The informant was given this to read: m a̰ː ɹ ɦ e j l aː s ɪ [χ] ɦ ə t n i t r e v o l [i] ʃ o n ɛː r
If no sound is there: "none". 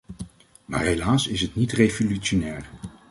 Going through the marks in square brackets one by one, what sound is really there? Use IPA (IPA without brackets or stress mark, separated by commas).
s, y